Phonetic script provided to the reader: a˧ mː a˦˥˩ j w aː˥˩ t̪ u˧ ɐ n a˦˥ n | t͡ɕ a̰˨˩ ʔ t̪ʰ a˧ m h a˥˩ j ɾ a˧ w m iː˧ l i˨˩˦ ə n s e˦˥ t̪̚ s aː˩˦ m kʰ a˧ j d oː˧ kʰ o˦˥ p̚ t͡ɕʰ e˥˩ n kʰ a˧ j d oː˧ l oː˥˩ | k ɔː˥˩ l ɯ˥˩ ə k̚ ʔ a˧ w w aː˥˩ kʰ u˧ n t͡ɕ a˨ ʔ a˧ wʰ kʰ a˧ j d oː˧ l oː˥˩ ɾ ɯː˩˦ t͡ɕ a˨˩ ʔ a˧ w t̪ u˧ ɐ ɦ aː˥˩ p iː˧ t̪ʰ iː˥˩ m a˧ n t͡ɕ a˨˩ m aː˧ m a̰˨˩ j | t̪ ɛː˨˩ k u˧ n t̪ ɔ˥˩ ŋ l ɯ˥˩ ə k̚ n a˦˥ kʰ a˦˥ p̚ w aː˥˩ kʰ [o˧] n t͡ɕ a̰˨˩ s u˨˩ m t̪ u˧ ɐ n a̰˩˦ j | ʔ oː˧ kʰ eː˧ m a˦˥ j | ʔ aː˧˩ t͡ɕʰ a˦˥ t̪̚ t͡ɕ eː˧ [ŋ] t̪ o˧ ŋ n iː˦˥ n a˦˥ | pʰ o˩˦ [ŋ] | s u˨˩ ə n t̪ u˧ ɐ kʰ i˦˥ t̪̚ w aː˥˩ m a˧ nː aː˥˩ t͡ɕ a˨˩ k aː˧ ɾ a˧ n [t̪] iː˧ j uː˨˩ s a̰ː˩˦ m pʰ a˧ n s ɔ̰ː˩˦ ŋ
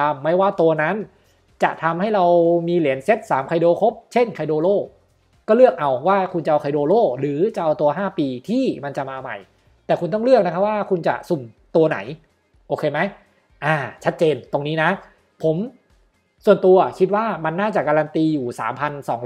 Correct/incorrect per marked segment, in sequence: incorrect: u˧, incorrect: n, incorrect: m, correct

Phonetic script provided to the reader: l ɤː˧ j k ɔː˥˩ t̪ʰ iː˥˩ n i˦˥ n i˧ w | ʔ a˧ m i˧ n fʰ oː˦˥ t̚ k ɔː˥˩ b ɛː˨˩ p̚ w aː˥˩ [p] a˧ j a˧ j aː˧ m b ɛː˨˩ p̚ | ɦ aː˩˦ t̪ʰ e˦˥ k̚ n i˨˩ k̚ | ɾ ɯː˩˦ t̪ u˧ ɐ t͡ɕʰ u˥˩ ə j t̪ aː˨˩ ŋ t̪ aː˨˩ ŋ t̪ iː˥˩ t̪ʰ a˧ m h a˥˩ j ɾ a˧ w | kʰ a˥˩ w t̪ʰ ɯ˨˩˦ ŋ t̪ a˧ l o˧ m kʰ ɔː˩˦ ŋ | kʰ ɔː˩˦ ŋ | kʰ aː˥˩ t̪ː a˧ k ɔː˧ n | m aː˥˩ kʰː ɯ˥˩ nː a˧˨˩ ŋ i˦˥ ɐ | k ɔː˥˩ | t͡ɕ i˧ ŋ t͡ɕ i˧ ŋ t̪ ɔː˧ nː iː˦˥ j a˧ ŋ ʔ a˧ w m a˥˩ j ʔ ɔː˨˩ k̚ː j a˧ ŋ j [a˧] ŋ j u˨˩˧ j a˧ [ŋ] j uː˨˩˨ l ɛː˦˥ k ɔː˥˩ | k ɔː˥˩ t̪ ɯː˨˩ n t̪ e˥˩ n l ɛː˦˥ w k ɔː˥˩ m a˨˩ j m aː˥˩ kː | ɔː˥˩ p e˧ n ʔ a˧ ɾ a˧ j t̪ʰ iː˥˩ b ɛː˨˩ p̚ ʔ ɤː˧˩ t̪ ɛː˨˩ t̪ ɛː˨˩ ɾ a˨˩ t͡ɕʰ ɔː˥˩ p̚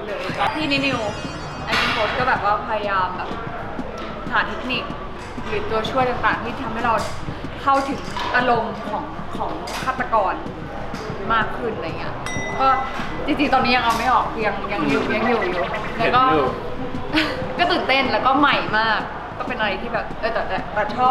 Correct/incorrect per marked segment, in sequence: incorrect: pʰ, correct, correct

